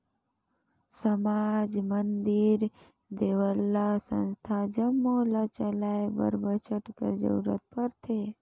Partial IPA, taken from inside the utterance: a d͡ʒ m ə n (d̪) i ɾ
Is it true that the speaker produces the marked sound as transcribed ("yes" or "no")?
yes